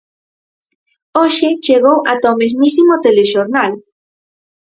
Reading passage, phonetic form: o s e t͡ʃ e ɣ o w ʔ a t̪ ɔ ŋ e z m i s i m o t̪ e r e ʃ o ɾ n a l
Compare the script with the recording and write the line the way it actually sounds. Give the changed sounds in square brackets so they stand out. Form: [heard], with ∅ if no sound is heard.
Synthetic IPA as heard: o [ʃ] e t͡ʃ e ɣ o w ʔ a t̪ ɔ [m] e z m i s i m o t̪ e [l] e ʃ o ɾ n a l